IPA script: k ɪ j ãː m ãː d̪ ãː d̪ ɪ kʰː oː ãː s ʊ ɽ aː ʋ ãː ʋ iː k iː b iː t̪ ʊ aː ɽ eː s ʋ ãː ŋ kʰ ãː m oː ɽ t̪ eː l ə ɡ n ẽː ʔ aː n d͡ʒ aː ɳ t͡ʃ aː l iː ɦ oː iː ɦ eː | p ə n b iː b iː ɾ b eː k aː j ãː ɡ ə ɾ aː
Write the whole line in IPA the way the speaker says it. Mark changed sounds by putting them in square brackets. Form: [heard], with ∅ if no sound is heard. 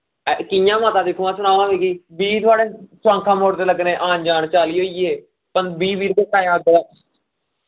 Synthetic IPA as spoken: k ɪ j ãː m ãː [t̪] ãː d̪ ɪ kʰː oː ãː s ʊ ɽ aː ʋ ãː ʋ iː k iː b iː t̪ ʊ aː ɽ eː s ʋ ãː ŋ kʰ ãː m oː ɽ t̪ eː l ə ɡ n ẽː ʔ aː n d͡ʒ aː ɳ t͡ʃ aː l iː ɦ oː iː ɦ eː | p ə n b iː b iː ɾ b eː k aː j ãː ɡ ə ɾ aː